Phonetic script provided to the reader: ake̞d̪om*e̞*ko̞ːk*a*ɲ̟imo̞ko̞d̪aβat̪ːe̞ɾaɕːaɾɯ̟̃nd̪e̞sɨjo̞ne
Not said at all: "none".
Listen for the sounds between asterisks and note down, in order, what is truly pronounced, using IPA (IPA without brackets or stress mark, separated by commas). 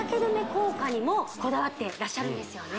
e̞, a